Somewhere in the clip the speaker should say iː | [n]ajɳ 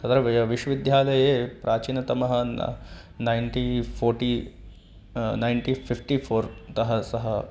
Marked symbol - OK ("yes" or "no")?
yes